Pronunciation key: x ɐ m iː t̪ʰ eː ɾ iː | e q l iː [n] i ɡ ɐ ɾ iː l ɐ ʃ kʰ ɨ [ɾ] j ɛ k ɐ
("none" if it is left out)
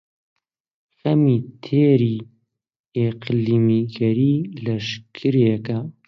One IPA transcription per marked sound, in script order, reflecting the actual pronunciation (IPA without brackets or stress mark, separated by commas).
m, ɾ